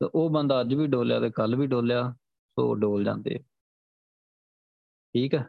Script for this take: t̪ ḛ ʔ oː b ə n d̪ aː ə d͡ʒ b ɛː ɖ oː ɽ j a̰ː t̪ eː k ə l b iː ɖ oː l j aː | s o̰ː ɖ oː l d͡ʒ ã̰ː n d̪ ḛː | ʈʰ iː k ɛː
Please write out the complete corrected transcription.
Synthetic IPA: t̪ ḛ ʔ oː b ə n d̪ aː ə d͡ʒ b iː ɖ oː l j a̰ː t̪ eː k ə l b iː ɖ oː l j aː | s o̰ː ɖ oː l d͡ʒ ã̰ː n d̪ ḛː | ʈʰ iː k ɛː